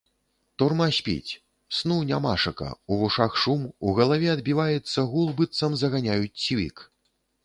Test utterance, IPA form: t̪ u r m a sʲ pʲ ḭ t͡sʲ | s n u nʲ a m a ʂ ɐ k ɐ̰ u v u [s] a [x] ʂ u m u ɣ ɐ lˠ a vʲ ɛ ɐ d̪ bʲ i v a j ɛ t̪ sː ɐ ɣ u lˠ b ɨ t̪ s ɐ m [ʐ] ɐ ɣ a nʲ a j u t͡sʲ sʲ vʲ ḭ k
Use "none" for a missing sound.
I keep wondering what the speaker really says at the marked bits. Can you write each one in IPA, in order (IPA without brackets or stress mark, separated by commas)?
ʂ, x, z